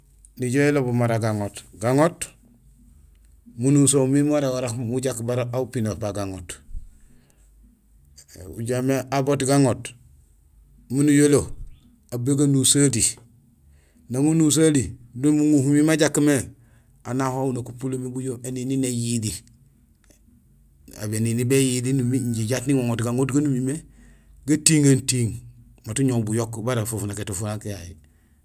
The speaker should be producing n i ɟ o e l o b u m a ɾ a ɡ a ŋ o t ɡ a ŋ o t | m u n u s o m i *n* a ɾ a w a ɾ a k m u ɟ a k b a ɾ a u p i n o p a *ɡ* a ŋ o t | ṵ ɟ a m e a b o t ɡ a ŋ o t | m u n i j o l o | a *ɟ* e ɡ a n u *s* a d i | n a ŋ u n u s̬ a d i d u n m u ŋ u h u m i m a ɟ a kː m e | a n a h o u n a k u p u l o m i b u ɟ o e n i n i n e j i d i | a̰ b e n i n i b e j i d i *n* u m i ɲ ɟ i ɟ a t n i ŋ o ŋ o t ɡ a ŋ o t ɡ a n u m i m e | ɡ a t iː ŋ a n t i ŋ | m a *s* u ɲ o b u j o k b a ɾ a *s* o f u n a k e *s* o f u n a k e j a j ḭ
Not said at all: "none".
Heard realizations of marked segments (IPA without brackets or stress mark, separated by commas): m, ɡ, b, s, n, t, f, t